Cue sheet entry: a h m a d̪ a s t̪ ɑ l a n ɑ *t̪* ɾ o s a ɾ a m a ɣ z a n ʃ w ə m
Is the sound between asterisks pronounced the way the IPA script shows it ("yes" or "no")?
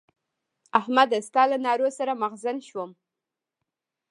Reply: no